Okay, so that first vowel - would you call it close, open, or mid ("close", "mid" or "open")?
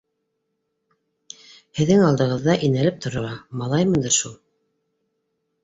mid